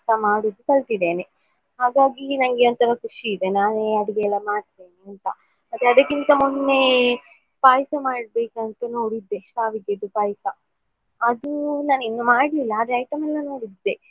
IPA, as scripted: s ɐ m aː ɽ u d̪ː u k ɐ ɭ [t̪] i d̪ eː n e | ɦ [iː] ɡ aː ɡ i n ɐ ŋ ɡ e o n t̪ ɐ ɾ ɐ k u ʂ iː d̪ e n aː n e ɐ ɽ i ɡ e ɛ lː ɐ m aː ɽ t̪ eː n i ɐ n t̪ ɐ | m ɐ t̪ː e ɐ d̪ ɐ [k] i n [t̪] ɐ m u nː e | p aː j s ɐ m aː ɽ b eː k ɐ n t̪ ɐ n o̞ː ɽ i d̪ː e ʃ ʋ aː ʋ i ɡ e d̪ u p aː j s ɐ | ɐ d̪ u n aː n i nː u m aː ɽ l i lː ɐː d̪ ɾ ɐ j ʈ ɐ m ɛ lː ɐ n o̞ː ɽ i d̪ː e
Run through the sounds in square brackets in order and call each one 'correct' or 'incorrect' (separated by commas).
correct, incorrect, correct, correct